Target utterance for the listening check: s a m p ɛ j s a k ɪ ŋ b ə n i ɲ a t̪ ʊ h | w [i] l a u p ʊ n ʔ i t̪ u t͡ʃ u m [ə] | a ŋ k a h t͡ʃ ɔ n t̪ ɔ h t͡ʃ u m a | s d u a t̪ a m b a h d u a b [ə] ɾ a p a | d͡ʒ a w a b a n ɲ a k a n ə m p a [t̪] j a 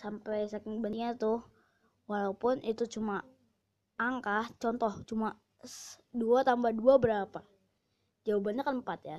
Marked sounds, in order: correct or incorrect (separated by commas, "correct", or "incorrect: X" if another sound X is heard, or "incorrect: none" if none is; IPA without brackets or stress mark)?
incorrect: a, incorrect: a, correct, correct